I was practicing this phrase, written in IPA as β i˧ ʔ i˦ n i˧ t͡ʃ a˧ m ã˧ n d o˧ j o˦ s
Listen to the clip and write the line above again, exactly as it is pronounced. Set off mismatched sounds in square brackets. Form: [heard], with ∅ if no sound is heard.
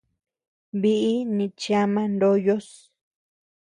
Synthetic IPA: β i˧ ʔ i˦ n [ĩ˧] t͡ʃ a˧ m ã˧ n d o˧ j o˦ s